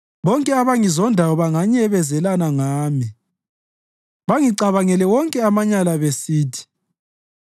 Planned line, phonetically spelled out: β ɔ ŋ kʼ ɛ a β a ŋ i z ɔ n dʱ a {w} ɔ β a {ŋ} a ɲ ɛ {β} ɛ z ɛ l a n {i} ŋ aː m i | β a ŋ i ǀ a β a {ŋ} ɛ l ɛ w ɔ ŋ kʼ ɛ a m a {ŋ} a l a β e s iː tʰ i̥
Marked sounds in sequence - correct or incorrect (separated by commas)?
correct, correct, correct, incorrect, correct, incorrect